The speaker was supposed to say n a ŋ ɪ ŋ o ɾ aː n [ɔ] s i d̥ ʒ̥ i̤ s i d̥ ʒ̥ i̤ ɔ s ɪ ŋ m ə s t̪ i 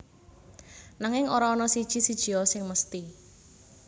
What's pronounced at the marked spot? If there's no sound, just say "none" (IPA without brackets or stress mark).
ɔ